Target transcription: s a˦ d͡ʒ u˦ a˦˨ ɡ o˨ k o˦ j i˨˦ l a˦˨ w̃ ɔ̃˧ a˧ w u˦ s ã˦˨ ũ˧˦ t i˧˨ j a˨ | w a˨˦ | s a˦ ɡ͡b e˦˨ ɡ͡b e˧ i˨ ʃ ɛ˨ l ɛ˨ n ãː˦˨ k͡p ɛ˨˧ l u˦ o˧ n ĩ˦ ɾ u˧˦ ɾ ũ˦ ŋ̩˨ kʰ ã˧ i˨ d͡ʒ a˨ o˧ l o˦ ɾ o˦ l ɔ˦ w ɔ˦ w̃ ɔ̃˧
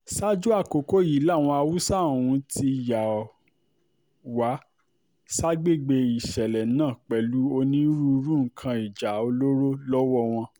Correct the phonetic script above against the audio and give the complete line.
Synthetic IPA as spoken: s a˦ d͡ʒ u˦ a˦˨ k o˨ k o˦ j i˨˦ l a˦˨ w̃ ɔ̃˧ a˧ w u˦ s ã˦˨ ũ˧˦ t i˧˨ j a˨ | w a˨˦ | s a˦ ɡ͡b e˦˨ ɡ͡b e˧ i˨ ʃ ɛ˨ l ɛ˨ n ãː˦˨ k͡p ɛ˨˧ l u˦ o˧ n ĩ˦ ɾ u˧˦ ɾ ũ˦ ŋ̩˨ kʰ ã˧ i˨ d͡ʒ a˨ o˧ l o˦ ɾ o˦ l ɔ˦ w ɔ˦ w̃ ɔ̃˧